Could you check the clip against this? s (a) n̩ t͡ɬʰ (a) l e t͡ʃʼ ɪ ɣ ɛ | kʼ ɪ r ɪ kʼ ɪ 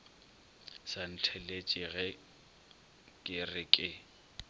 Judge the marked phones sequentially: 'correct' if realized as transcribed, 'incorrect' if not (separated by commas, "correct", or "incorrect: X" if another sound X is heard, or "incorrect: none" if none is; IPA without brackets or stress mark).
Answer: correct, incorrect: ɛ